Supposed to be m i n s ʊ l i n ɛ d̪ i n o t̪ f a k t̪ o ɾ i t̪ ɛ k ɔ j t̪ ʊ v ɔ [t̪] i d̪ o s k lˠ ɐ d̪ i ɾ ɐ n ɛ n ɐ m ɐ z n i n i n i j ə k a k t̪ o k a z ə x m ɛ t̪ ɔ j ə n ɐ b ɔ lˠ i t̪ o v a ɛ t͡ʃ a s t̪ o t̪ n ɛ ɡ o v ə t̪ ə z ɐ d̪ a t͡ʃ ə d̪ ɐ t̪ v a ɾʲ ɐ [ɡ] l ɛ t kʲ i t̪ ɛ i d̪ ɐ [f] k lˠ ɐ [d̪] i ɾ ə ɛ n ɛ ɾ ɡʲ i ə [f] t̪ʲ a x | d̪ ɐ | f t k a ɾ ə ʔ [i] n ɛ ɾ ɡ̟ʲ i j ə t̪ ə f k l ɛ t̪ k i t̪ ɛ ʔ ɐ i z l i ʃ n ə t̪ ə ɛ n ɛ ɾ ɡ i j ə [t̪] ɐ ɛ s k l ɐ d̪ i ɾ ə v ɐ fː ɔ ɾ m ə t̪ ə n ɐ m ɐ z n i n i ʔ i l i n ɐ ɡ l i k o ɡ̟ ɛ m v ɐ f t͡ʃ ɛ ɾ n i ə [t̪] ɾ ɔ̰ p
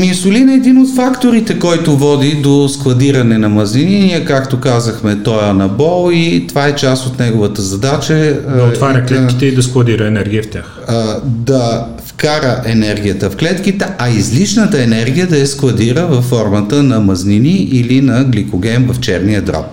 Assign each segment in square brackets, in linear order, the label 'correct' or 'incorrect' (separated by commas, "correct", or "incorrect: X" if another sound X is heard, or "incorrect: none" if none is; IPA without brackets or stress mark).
incorrect: d̪, incorrect: k, incorrect: s, correct, correct, incorrect: ɛ, incorrect: d̪, incorrect: d̪